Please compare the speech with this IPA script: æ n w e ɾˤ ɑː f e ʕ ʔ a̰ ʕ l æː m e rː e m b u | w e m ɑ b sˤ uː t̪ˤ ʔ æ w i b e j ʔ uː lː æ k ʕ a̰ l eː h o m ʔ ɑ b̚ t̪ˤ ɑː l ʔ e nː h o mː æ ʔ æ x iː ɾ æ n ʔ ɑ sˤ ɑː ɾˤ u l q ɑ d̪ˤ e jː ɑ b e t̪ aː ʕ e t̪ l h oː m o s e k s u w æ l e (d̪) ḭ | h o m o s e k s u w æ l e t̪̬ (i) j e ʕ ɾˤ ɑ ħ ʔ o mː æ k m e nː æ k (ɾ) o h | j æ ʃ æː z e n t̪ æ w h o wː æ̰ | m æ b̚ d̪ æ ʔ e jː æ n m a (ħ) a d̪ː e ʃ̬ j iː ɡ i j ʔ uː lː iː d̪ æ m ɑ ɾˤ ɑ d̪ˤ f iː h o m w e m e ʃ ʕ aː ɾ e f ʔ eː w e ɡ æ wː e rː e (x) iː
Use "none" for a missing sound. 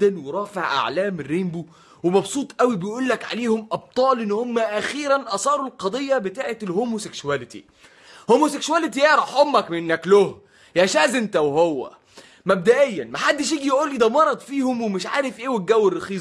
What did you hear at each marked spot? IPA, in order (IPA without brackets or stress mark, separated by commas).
t̪, i, l, ħ, x